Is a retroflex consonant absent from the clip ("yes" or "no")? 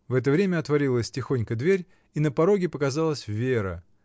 yes